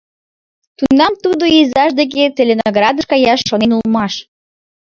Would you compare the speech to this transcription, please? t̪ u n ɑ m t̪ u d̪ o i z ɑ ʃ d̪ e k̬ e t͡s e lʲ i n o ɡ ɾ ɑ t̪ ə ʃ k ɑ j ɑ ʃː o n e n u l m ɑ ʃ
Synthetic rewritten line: t̪ u n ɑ m t̪ u d̪ o i z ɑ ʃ d̪ e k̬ e t͡s e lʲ e n o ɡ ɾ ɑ d̪ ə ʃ k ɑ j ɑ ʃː o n e n u l m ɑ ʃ